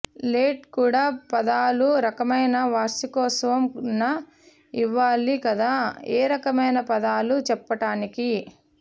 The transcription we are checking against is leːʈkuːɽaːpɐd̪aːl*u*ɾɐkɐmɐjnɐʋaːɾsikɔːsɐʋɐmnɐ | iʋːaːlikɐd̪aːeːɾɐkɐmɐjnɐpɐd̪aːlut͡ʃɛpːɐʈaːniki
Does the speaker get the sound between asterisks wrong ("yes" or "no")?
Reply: no